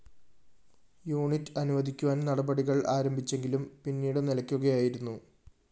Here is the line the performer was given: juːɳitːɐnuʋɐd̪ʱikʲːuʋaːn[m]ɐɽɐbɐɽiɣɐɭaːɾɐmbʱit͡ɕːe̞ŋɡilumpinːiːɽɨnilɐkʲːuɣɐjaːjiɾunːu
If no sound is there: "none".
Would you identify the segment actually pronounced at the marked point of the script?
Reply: n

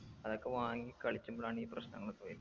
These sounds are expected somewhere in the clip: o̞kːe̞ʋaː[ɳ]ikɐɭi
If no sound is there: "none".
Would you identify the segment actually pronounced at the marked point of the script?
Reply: ŋ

